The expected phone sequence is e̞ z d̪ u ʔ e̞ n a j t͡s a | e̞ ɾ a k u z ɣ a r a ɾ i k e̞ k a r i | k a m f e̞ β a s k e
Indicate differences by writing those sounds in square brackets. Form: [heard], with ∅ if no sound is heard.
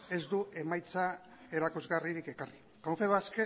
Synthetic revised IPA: e̞ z d̪ u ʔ e̞ [m] a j t͡s a | e̞ ɾ a k u z ɣ a r [i] ɾ i k e̞ k a r i | k a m f e̞ β a s k e